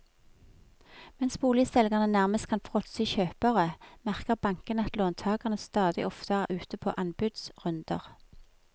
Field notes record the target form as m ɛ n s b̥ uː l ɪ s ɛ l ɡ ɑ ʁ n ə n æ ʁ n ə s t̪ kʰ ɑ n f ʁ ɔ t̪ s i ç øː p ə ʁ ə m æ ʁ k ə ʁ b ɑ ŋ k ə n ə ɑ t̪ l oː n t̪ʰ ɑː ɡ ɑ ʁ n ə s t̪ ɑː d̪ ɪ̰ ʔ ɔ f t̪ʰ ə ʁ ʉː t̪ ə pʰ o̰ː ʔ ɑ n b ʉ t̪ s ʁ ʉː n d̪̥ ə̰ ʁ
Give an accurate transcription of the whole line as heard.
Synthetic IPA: m ɛ n s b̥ uː l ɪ s ɛ l ɡ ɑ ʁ n ə n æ ʁ m ə s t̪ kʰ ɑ n f ʁ ɔ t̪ s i ç øː p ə ʁ ə m æ ʁ k ə ʁ b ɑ ŋ k ə n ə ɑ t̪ l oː n t̪ʰ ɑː ɡ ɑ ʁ n ə s t̪ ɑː d̪ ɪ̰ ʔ ɔ f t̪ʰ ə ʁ ʉː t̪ ə pʰ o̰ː ʔ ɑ n b ʉ d̪ s ʁ ʉ n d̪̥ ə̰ ʁ